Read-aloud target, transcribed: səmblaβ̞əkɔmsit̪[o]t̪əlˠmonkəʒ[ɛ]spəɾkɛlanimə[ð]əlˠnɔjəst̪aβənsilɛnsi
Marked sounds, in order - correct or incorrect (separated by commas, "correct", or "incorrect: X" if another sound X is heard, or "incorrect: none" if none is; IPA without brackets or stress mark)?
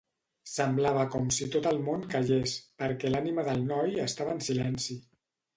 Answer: correct, incorrect: e, correct